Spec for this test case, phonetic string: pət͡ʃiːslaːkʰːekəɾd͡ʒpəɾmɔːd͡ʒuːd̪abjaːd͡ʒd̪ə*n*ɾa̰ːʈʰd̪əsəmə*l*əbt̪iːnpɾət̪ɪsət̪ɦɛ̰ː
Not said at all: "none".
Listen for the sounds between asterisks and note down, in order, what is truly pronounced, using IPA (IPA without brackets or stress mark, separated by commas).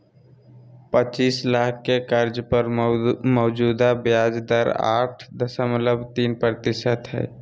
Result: none, l